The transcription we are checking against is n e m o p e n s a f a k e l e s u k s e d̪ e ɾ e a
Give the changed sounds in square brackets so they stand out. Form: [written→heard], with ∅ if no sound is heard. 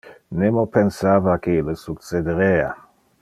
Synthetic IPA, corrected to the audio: n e m o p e n s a [f→v] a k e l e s u k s e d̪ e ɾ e a